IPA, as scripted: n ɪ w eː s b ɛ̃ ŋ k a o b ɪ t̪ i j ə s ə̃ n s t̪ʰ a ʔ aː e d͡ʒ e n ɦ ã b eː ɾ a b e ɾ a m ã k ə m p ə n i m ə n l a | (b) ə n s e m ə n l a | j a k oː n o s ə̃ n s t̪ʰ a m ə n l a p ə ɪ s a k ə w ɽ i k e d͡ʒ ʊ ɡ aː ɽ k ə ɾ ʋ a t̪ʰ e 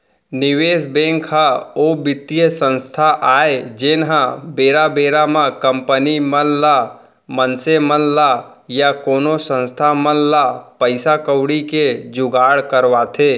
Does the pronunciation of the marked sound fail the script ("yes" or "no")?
yes